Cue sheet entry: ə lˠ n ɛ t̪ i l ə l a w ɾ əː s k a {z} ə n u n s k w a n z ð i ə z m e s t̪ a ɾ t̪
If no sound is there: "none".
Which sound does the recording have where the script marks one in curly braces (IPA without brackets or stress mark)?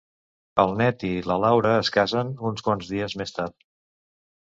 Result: z